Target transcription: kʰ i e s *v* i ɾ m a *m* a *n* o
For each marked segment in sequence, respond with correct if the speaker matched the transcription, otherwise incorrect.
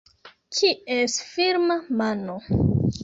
incorrect: f, correct, correct

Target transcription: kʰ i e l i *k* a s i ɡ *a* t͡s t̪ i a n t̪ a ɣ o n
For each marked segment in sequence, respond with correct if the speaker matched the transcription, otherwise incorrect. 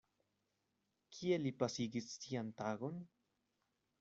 incorrect: p, incorrect: i

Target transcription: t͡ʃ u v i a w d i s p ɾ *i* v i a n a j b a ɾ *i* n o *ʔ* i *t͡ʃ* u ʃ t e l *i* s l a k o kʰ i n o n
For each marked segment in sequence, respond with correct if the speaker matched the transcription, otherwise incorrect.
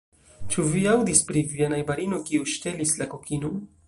correct, correct, incorrect: k, incorrect: none, correct

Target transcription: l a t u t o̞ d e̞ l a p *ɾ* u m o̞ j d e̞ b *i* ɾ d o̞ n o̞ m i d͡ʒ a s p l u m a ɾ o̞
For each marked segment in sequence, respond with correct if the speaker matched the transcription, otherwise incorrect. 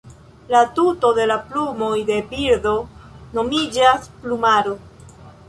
incorrect: l, correct

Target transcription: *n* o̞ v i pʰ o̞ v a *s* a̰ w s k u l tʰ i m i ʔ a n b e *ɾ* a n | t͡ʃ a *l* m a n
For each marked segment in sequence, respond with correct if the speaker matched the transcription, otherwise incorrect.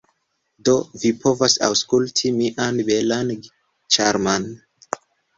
incorrect: d, correct, incorrect: l, incorrect: ɾ

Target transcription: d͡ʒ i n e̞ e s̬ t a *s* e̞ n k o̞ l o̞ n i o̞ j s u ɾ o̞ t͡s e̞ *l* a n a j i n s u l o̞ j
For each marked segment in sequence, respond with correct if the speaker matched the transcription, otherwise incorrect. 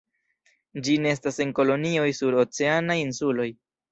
correct, incorrect: none

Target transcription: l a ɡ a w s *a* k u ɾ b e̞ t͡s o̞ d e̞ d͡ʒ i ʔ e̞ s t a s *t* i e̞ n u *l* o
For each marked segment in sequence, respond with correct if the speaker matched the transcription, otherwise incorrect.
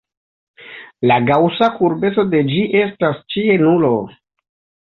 correct, incorrect: t͡ʃ, correct

